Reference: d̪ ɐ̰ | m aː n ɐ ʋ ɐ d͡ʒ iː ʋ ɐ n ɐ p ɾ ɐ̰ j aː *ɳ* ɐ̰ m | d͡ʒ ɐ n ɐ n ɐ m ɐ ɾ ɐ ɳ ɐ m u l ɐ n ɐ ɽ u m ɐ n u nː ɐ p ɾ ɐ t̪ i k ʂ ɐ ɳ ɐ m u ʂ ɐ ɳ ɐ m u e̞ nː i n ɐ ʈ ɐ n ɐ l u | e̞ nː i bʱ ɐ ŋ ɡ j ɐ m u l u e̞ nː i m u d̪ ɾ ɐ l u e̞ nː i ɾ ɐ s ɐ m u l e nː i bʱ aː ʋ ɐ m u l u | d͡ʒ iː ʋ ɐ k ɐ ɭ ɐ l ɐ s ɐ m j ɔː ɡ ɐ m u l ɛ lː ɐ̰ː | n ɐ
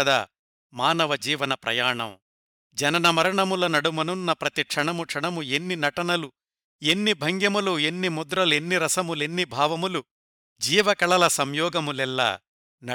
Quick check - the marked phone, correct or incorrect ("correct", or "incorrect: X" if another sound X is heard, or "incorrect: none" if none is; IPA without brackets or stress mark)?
correct